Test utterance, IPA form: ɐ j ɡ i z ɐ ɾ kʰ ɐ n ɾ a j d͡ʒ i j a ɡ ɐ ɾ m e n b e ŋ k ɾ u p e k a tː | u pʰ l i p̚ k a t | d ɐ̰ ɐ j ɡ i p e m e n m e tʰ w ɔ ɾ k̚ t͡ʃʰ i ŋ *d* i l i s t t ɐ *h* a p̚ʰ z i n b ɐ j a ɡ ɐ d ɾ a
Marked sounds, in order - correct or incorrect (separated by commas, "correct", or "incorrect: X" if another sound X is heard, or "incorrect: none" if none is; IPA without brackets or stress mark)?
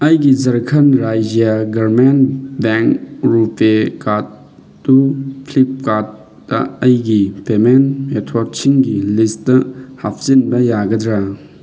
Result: incorrect: ɡ, correct